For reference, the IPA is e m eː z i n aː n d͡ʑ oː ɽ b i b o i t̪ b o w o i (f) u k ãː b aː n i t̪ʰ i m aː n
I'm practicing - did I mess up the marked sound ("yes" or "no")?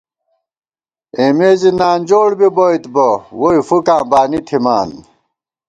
no